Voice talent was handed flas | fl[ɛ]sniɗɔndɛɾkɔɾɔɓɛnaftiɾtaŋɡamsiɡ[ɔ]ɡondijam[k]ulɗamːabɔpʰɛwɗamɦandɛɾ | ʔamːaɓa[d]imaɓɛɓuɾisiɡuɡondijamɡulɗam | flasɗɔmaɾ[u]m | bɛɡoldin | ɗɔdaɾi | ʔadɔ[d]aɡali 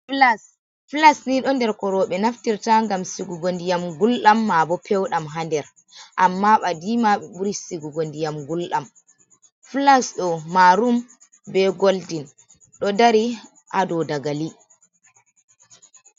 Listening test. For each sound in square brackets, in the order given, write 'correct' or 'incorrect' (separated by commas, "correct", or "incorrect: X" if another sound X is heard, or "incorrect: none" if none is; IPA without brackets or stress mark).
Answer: incorrect: a, incorrect: u, incorrect: ɡ, correct, correct, correct